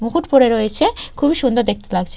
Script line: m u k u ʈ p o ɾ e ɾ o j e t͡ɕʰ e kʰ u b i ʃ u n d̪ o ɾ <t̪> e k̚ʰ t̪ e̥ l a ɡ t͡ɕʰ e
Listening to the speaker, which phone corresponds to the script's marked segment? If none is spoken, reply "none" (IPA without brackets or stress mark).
d̪